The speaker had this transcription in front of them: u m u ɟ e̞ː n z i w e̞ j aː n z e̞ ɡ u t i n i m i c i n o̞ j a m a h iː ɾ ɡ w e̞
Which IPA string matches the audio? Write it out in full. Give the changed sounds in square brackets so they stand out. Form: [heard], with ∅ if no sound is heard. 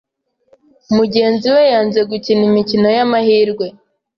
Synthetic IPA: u m u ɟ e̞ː n z i w e̞ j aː n z e̞ ɡ u [c] i n i m i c i n o̞ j a m a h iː ɾ ɡ w e̞